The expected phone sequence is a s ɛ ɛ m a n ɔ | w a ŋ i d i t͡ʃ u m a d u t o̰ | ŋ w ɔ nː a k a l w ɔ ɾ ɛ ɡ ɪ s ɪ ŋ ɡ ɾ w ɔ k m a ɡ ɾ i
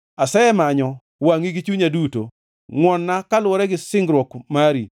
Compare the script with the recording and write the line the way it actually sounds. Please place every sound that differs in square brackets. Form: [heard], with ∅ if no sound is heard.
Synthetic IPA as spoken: a s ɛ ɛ m a [ɲ] ɔ | w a ŋ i [ɡ] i t͡ʃ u [ɲ] a d u t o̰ | ŋ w ɔ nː a k a l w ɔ ɾ ɛ ɡ ɪ s ɪ ŋ ɡ ɾ w ɔ k m a [∅] ɾ i